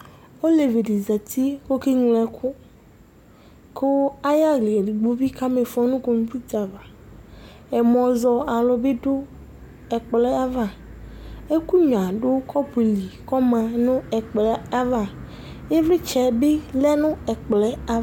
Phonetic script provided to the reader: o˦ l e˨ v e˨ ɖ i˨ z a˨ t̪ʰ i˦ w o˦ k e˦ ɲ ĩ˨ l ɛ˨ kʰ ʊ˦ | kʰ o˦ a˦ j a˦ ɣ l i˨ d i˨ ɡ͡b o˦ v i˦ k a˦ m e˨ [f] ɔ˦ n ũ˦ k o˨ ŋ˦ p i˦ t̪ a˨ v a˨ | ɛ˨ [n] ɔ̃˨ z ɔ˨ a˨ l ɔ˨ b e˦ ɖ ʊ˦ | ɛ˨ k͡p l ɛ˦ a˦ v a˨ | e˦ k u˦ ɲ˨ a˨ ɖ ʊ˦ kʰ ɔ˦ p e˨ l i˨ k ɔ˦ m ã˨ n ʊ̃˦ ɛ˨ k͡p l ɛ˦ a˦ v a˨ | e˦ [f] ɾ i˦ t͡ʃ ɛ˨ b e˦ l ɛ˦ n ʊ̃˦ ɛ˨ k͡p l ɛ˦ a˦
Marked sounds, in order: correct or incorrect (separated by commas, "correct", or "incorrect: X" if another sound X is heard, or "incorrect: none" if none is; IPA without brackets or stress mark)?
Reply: correct, incorrect: m, incorrect: v